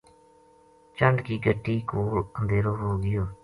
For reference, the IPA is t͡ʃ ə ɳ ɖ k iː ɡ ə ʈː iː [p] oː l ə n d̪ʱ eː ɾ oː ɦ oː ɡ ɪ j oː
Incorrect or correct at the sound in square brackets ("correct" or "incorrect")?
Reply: incorrect